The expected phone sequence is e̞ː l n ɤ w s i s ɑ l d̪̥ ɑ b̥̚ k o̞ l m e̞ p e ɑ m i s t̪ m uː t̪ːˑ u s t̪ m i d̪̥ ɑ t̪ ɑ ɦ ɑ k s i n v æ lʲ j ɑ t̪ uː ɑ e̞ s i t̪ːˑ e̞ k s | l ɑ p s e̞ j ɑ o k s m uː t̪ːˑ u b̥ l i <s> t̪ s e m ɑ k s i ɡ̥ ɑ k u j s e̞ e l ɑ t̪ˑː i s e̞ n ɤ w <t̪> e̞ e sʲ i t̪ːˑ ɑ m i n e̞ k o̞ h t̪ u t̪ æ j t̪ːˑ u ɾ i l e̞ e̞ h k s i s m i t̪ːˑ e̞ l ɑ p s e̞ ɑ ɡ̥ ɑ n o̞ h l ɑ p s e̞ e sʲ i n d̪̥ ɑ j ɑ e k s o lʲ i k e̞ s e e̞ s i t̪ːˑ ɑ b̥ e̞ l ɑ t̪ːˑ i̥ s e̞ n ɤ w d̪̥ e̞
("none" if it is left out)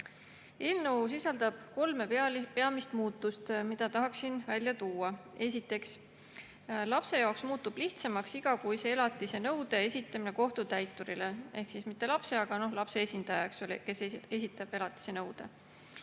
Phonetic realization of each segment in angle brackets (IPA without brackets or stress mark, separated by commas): h, d̪